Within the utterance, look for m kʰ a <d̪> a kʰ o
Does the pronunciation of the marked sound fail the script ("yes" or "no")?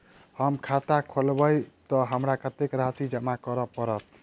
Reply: yes